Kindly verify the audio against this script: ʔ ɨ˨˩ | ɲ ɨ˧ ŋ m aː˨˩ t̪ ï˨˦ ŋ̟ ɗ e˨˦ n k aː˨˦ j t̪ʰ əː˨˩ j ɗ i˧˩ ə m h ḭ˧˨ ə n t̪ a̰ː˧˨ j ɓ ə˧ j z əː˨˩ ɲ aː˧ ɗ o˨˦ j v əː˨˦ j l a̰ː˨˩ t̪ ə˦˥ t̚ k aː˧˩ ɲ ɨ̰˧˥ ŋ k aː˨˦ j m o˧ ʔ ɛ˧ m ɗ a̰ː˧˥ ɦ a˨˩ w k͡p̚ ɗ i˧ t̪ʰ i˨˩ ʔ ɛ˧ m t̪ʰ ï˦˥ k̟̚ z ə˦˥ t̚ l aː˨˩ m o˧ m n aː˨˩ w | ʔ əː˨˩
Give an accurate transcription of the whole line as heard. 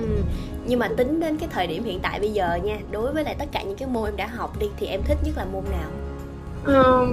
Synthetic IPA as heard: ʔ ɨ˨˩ | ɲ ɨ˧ ŋ m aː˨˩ t̪ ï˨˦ ŋ̟ ɗ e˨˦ n k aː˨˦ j t̪ʰ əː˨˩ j ɗ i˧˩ ə m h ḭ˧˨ ə n t̪ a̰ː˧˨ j ɓ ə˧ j z əː˨˩ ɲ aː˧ ɗ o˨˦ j v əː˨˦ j l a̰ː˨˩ t̪ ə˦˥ t̚ k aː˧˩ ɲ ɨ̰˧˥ ŋ k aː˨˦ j m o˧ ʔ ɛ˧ m ɗ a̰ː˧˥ ɦ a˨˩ w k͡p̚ ɗ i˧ t̪ʰ i˨˩ ʔ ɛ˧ m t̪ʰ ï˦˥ k̟̚ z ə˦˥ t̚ l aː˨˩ m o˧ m n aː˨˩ w | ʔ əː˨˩